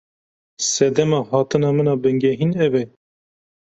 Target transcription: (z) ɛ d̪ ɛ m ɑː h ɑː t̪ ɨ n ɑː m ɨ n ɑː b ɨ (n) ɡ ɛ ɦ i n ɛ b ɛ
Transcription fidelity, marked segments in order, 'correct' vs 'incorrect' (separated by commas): incorrect, incorrect